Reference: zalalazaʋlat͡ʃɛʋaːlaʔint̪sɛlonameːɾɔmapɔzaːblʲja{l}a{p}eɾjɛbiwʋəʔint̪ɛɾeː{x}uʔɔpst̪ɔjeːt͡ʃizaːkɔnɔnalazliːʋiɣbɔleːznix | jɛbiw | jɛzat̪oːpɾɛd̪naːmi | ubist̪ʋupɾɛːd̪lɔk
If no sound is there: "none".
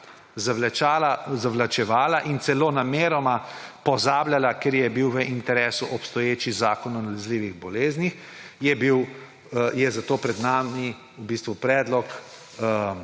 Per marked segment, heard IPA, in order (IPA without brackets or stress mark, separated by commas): l, k, s